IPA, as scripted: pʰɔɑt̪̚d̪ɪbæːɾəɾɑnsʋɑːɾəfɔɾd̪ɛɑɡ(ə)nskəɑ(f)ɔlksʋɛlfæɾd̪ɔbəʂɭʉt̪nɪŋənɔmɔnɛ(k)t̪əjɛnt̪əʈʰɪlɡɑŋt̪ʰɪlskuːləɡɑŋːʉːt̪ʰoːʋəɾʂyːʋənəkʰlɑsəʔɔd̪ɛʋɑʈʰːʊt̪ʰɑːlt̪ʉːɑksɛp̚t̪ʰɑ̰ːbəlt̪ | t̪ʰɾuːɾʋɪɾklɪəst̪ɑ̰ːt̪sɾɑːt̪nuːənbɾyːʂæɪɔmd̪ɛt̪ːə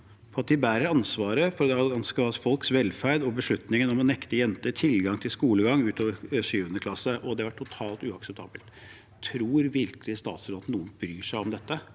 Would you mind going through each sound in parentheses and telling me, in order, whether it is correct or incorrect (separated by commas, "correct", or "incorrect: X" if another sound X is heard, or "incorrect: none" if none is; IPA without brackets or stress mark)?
incorrect: ɑ, correct, correct